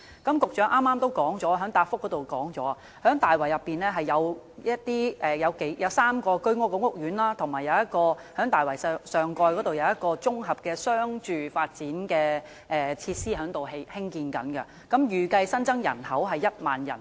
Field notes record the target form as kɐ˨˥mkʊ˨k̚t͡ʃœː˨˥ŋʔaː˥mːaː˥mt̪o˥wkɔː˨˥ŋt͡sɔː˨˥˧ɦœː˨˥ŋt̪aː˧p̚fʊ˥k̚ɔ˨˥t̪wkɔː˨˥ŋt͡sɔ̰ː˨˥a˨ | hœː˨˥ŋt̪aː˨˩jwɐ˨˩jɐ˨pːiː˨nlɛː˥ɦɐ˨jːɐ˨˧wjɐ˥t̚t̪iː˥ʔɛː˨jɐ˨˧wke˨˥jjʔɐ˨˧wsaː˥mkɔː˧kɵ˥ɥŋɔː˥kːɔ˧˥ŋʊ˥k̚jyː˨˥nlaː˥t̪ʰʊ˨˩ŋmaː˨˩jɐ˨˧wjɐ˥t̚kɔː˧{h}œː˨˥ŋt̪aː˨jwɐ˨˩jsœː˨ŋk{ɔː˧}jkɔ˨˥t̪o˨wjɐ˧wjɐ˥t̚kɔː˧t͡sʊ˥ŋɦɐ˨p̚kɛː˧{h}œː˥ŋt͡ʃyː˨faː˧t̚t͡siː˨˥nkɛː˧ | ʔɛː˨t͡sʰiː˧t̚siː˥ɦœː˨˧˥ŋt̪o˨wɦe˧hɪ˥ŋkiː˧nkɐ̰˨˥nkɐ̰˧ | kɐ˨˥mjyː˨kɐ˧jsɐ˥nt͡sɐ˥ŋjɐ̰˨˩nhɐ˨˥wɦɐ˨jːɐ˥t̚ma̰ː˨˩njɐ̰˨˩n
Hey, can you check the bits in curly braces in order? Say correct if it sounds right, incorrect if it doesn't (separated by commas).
correct, correct, incorrect